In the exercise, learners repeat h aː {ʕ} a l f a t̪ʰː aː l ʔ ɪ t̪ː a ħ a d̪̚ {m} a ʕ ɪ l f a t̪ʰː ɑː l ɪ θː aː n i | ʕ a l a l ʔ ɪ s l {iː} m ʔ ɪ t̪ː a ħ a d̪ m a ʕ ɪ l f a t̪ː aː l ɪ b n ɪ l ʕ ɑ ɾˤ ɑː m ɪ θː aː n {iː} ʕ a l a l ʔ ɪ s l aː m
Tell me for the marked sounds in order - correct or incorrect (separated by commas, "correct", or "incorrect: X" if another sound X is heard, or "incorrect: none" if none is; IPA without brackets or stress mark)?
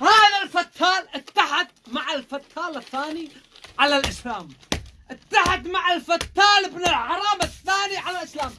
incorrect: ð, correct, incorrect: aː, incorrect: i